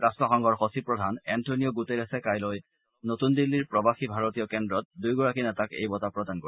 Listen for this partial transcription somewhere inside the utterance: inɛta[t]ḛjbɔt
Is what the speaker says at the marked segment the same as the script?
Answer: no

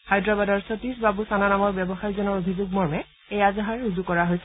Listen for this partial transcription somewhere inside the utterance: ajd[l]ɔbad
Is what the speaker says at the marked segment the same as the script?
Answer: no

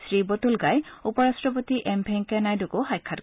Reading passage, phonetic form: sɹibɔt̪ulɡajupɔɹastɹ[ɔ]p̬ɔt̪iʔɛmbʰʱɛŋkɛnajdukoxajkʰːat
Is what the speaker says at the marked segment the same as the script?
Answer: yes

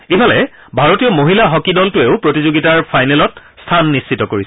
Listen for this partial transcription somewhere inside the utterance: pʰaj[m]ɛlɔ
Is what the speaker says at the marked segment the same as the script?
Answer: no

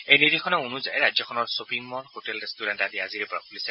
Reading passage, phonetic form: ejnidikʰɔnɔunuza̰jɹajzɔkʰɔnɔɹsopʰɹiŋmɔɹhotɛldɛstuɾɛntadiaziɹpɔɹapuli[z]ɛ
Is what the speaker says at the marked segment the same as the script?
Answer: no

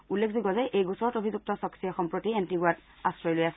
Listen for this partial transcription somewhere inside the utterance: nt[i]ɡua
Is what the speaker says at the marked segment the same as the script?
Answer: yes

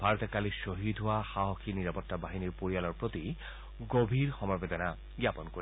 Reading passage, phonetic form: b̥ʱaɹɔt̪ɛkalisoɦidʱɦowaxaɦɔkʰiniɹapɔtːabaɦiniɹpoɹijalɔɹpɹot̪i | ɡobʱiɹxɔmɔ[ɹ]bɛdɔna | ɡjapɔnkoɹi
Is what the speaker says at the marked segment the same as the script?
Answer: yes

